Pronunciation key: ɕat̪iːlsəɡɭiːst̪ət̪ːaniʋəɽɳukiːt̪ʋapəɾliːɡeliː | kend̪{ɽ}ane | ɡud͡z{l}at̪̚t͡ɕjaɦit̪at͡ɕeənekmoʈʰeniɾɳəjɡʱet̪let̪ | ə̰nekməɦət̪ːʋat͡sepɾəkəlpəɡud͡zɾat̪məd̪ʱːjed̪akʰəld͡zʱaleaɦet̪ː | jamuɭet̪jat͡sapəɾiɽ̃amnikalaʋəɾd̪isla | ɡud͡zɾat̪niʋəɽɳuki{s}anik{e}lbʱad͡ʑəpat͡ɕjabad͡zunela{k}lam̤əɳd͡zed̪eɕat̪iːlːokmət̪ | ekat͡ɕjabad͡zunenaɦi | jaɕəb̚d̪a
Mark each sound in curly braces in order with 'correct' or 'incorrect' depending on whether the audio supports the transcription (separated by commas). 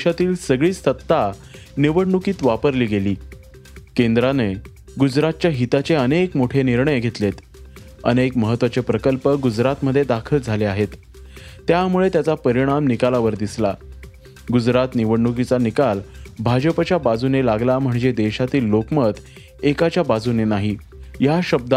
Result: incorrect, incorrect, incorrect, incorrect, incorrect